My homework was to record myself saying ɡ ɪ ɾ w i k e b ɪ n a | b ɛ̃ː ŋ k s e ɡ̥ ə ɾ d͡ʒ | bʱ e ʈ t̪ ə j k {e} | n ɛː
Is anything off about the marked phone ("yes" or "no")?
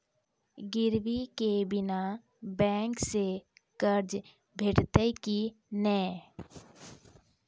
yes